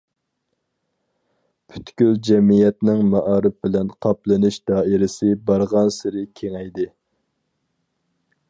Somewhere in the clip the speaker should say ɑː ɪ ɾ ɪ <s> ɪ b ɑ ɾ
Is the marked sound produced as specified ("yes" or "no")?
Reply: yes